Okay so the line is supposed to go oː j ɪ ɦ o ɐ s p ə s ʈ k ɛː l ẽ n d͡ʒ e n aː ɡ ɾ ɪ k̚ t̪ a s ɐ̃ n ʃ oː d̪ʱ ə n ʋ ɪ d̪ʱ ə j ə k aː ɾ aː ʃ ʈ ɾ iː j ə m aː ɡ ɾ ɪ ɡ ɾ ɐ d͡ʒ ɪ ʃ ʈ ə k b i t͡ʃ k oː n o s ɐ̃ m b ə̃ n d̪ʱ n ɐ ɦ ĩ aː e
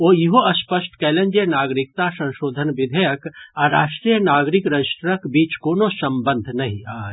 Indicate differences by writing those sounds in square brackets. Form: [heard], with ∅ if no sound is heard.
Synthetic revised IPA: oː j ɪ ɦ o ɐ s p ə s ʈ k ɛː l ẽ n d͡ʒ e n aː ɡ ɾ ɪ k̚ t̪ a s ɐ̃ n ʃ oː d̪ʱ ə n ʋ ɪ d̪ʱ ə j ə k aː ɾ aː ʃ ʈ ɾ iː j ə [n] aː ɡ ɾ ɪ [k] ɾ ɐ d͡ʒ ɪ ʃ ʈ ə k b [iː] t͡ʃ k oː n o s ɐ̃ m b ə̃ n d̪ʱ n ɐ ɦ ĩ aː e